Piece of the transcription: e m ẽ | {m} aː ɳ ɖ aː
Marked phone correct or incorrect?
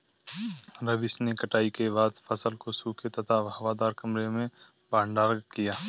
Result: incorrect